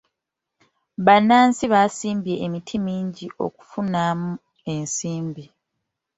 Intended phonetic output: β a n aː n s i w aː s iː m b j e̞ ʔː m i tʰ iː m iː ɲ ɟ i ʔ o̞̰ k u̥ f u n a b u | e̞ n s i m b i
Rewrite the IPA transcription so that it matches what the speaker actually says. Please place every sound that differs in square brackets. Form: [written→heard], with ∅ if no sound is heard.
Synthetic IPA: β a n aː n s i [w→β] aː s iː m b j e̞ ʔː m i tʰ [iː→i] m iː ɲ ɟ i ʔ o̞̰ k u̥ f u n a [b→m] u | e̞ n s [i→iː] m b i